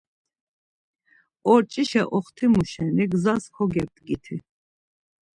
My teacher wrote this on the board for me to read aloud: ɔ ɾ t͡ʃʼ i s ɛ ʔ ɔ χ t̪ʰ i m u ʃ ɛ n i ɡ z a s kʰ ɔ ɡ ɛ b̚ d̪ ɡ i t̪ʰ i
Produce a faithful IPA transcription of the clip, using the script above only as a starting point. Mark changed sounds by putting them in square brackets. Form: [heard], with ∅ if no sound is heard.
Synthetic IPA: ɔ ɾ t͡ʃʼ i [ʃ] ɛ ʔ ɔ χ t̪ʰ i m u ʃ ɛ n i ɡ z a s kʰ ɔ ɡ ɛ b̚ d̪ ɡ i t̪ʰ i